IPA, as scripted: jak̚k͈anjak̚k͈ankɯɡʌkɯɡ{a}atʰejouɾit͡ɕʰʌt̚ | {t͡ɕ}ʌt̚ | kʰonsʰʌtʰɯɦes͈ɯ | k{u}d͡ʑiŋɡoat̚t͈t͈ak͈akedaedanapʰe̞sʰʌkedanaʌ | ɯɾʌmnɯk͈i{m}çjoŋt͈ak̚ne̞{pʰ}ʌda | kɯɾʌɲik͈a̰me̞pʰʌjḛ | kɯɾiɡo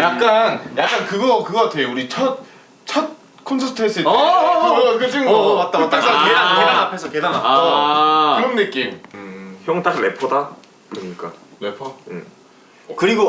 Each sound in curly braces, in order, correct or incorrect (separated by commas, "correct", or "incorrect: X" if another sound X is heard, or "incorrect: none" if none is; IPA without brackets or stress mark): incorrect: ʌ, incorrect: t͡ɕʰ, incorrect: ɯ, correct, correct